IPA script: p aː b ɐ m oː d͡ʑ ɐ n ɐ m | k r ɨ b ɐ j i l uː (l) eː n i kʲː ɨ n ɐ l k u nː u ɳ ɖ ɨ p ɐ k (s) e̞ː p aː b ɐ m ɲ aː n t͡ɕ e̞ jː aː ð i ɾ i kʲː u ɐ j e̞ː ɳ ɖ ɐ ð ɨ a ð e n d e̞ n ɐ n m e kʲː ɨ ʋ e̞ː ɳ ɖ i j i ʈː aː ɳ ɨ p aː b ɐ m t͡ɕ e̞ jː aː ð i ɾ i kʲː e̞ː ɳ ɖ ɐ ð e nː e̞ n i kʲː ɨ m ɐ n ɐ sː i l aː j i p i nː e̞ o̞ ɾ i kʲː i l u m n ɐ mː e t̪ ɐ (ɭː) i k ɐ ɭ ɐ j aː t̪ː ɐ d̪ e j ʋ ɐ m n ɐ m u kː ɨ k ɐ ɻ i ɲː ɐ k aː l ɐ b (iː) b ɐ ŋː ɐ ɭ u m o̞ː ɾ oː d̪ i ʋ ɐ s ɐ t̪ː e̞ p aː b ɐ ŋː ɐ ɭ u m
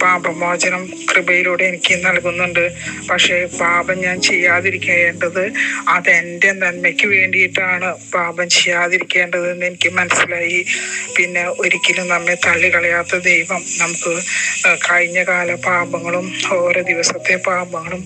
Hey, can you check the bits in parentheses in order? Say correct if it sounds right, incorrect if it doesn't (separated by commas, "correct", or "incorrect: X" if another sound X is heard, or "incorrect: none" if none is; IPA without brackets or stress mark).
incorrect: ɽ, incorrect: ʂ, correct, incorrect: aː